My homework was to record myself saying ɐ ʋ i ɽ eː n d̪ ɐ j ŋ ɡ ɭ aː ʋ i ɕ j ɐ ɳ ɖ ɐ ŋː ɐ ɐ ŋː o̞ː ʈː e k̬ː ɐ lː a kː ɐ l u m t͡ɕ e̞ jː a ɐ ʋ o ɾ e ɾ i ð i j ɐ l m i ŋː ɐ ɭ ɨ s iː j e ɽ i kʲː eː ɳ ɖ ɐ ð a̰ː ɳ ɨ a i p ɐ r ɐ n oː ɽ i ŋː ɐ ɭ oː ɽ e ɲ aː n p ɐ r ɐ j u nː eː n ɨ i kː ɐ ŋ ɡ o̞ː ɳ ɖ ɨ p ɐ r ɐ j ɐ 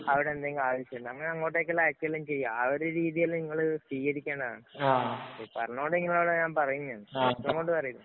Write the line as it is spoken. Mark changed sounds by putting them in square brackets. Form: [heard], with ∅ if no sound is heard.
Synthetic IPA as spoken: ɐ ʋ i ɽ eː n d̪ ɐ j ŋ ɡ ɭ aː ʋ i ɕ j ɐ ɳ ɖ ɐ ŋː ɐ ɐ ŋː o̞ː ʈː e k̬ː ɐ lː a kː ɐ l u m t͡ɕ e̞ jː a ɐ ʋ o ɾ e ɾ [iː] ð i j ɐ l [n] i ŋː ɐ ɭ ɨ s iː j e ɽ i kʲː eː ɳ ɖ ɐ ð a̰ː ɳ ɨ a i p ɐ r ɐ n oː ɽ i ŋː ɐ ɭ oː ɽ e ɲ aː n p ɐ r ɐ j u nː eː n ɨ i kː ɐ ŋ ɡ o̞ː ɳ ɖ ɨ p ɐ r ɐ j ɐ